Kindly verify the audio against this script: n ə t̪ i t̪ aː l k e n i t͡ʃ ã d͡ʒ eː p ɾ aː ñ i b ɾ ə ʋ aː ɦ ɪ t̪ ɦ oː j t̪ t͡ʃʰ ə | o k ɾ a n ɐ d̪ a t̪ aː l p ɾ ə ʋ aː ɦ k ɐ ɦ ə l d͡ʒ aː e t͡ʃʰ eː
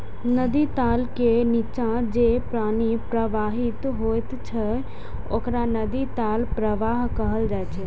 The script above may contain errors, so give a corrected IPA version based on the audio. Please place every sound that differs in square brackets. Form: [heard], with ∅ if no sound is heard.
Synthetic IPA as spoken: n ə [d̪] i t̪ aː l k e n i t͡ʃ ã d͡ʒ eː p ɾ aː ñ i [p] ɾ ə ʋ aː ɦ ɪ t̪ ɦ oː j t̪ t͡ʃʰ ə | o k ɾ a n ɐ d̪ [i] t̪ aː l p ɾ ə ʋ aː ɦ k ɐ ɦ ə l d͡ʒ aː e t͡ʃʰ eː